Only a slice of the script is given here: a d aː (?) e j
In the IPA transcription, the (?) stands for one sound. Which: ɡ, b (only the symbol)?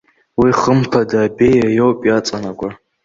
b